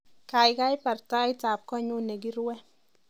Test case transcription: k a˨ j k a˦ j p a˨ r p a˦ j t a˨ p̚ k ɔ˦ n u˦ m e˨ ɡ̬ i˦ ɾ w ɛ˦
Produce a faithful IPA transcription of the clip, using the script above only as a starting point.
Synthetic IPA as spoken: k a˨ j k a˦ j p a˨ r t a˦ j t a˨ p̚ k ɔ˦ ɲ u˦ n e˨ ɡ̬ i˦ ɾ w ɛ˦

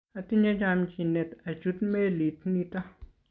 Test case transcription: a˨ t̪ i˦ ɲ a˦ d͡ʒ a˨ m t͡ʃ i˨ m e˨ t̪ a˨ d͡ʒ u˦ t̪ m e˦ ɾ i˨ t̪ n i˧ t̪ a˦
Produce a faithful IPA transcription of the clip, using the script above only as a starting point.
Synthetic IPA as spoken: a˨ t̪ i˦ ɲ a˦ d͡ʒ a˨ m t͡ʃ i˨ n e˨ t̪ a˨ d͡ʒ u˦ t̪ m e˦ l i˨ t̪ n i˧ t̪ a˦

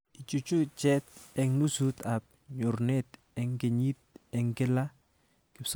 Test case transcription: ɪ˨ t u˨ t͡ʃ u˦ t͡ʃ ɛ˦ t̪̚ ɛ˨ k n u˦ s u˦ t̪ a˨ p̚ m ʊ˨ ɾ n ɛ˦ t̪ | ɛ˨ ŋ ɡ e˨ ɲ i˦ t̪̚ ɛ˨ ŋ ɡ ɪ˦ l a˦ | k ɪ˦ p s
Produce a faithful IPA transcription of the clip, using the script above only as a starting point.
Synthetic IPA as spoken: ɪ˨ t͡ʃ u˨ t͡ʃ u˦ t͡ʃ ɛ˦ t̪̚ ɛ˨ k n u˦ s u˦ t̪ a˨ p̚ ɲ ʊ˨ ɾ n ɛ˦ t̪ | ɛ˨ ŋ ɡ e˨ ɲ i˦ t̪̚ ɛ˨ ŋ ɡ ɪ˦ l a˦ | k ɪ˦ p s

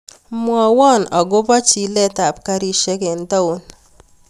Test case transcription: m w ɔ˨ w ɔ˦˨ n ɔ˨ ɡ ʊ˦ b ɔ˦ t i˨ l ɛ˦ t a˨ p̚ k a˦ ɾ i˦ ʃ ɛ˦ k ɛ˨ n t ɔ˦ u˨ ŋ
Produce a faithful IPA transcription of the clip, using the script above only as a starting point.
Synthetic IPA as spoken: m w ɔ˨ w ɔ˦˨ n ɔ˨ ɡ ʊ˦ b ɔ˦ t͡ʃ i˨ l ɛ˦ t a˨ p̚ k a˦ ɾ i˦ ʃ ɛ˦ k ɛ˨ n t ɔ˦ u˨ n

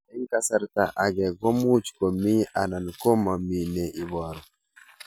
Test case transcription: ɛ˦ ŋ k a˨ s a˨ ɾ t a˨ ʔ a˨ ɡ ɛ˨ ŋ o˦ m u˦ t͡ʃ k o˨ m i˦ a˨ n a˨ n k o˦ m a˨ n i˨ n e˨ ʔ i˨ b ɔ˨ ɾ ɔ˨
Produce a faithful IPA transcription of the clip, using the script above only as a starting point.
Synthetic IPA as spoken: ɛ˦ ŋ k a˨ s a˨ ɾ t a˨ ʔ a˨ ɡ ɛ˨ ɡ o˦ m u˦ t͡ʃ k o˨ m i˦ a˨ n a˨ n k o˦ m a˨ m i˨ n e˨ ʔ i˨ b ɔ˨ ɾ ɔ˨

